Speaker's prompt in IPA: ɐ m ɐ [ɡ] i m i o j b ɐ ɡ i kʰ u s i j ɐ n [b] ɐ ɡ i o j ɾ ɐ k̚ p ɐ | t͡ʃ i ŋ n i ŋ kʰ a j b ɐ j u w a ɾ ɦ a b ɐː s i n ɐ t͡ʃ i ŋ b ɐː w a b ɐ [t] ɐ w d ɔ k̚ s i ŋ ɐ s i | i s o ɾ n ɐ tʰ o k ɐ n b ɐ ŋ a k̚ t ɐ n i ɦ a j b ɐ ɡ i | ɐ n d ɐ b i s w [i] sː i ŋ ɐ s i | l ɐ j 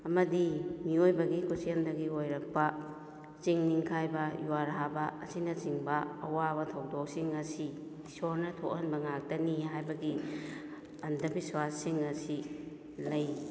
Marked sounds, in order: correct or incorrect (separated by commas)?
incorrect, incorrect, incorrect, incorrect